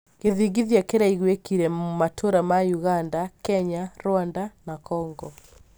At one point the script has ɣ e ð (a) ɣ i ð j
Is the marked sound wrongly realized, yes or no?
yes